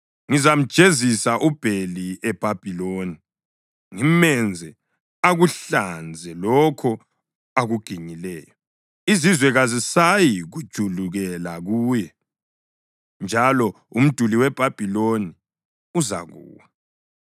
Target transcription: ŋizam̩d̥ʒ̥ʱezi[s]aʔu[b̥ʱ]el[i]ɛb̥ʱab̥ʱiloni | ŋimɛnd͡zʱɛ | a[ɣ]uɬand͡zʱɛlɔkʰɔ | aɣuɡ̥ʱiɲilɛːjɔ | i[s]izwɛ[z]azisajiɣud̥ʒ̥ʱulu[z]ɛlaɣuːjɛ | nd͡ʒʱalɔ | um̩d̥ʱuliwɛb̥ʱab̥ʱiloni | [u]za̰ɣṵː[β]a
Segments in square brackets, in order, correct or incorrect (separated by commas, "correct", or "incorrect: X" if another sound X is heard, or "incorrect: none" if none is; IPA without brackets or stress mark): correct, correct, correct, correct, incorrect: z, incorrect: ɣ, incorrect: ɣ, correct, incorrect: w